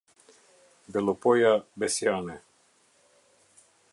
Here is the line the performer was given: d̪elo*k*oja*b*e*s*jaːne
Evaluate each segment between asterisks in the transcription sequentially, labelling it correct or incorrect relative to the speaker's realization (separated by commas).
incorrect, correct, correct